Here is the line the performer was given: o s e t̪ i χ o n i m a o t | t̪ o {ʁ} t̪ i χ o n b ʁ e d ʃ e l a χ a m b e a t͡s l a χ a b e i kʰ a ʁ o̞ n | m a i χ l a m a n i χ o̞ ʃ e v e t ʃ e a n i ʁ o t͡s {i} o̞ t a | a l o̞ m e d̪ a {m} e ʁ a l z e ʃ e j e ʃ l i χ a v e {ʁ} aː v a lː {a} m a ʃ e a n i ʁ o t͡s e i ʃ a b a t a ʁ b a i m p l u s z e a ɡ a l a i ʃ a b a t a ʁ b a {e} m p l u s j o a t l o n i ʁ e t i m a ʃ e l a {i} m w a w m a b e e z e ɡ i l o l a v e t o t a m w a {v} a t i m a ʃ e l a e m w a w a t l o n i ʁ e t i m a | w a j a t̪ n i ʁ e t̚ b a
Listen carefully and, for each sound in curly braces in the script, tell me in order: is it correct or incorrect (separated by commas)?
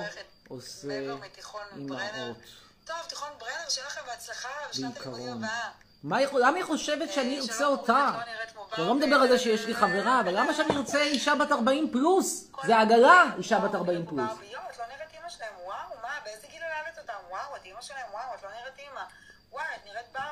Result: incorrect, incorrect, incorrect, correct, correct, incorrect, incorrect, incorrect